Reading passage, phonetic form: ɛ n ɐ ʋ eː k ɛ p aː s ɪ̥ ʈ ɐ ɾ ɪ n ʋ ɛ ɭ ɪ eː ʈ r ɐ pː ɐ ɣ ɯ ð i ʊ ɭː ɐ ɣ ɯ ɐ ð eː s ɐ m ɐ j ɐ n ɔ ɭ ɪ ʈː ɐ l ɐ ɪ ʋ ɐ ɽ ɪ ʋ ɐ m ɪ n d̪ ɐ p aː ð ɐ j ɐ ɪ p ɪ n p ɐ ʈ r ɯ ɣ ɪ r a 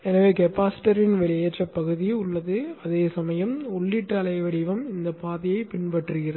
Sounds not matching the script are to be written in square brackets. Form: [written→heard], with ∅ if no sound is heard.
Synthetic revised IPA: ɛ n ɐ ʋ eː k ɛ p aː s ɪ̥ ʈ ɐ ɾ ɪ n ʋ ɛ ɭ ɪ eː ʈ r ɐ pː ɐ ɣ ɯ ð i ʊ ɭː ɐ [ɣ→ð] ɯ ɐ ð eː s ɐ m ɐ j ɐ [n→m] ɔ [ɭ→ɭː] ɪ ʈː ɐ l ɐ ɪ ʋ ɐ ɽ ɪ ʋ ɐ m ɪ n d̪ ɐ p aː ð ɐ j ɐ ɪ p ɪ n p ɐ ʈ r ɯ ɣ ɪ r [a→ɐ]